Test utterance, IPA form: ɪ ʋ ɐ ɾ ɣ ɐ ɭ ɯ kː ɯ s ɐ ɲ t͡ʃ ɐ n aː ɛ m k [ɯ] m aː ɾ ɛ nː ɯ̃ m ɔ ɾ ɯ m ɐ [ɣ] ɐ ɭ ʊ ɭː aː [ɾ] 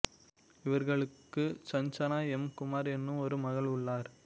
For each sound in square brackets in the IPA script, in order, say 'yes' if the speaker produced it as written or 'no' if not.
no, yes, yes

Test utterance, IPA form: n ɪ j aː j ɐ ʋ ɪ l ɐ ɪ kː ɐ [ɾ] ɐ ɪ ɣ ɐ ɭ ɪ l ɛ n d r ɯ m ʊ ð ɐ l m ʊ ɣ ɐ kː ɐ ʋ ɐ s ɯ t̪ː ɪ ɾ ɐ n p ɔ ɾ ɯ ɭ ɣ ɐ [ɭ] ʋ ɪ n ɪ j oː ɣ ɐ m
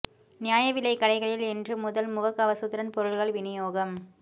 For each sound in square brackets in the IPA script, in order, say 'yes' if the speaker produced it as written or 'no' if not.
no, yes

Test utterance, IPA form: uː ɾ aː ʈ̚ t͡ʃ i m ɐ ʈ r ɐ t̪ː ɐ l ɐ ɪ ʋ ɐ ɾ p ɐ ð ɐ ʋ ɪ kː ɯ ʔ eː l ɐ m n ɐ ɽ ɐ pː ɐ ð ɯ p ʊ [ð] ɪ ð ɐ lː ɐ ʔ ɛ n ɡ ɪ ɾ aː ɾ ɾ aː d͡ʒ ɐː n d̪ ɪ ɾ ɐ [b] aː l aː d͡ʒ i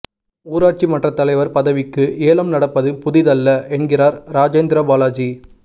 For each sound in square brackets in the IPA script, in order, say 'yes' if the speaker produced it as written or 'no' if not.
yes, yes

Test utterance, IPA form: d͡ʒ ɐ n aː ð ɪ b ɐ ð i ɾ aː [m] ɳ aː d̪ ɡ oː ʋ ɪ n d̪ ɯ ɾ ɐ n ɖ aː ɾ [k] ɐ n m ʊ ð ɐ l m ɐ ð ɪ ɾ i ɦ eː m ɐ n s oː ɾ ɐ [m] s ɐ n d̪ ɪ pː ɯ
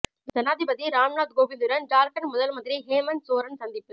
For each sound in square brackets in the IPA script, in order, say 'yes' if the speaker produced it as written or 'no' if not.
yes, yes, no

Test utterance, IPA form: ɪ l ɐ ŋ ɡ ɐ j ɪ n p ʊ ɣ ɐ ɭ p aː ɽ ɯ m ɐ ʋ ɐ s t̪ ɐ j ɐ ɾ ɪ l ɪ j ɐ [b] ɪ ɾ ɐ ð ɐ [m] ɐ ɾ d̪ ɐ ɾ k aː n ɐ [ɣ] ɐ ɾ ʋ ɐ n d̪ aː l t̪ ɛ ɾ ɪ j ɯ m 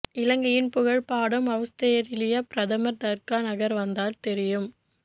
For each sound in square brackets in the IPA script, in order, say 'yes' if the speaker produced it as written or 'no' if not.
no, yes, yes

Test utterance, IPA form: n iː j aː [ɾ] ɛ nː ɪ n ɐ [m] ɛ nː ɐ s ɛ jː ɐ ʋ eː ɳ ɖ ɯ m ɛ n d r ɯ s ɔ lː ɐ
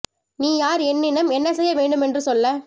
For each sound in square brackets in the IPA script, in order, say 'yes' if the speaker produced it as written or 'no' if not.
yes, yes

